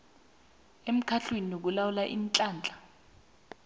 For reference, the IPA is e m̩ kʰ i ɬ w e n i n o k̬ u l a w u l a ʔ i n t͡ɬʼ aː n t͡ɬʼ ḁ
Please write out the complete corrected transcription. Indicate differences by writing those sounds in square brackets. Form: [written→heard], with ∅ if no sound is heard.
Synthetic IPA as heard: e m̩ kʰ [i→a] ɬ w e n i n o k̬ u l a w u l a ʔ i n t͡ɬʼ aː n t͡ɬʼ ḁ

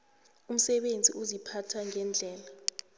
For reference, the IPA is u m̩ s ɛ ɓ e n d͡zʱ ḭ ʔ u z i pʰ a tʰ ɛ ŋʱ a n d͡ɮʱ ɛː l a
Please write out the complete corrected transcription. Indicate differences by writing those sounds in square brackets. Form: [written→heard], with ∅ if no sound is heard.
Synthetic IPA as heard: u m̩ s ɛ ɓ e n d͡zʱ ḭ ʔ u z i pʰ a tʰ [ɛ→a] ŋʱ [a→ɛ] n d͡ɮʱ ɛː l a

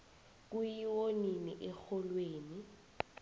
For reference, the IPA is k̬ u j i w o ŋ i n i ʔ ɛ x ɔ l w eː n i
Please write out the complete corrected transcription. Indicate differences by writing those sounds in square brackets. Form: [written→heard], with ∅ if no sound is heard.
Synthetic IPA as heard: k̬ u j i w o [ŋ→n] i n i ʔ ɛ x ɔ l w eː n i

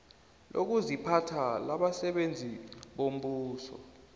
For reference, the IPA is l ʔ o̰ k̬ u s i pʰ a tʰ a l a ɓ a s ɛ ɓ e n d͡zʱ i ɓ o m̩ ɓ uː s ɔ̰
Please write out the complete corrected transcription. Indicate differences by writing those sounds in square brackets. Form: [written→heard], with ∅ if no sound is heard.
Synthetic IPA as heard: l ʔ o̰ k̬ u [s→z] i pʰ a tʰ a l a ɓ a s ɛ ɓ e n d͡zʱ i ɓ o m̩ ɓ uː s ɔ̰

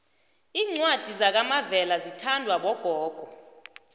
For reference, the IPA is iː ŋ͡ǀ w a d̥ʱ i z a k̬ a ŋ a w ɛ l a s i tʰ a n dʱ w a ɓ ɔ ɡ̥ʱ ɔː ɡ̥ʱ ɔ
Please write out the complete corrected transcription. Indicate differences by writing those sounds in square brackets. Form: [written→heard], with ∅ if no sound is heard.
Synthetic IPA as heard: iː ŋ͡ǀ w a d̥ʱ i z a k̬ a [ŋ→m] a [w→v] ɛ l a [s→z] i tʰ a n dʱ w a ɓ ɔ ɡ̥ʱ ɔː ɡ̥ʱ ɔ

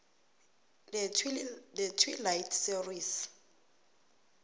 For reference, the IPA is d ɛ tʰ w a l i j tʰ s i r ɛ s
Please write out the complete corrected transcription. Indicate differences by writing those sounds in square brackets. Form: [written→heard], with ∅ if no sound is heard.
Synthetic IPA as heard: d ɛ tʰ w [a→i] l [i→a] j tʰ s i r [ɛ→i] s

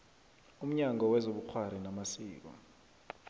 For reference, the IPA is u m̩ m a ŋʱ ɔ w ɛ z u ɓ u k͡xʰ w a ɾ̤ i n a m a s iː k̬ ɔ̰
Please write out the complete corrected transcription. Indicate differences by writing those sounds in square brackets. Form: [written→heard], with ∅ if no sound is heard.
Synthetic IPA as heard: u m̩ [m→ɲ] a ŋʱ ɔ w ɛ z [u→o] ɓ u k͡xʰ w a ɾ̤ i n a m a s iː k̬ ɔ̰

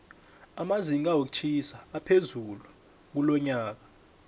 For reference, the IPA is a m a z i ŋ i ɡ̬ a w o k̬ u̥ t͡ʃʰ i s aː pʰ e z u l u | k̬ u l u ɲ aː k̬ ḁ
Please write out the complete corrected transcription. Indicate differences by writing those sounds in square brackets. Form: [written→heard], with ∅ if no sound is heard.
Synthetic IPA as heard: a m a z i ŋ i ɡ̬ a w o k̬ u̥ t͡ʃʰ i s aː pʰ e z u l u | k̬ u l [u→ɔ] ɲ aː k̬ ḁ

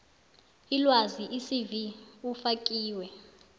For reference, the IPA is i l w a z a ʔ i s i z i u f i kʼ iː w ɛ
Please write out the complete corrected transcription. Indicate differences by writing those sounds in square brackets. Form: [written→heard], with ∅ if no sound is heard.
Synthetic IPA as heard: i l w a z [a→i] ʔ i s i [z→v] i u f [i→a] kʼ iː w ɛ

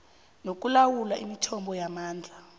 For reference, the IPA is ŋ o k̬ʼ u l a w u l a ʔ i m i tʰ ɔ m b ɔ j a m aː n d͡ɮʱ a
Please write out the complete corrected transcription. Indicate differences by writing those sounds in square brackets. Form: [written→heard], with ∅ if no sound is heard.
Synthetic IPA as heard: [ŋ→n] o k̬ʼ u l a w u l a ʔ i m i tʰ ɔ m b ɔ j a m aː n d͡ɮʱ a

